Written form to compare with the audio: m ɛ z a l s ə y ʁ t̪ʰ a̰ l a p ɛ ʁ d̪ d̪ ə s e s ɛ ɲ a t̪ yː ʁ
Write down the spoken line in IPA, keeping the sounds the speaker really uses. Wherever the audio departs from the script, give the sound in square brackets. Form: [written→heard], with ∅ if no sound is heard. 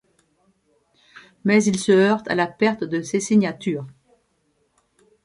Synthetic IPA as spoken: m ɛ z [a→i] l s ə [y→œ] ʁ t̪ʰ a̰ l a p ɛ ʁ [d̪→t̪] d̪ ə s e s [ɛ→i] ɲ a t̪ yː ʁ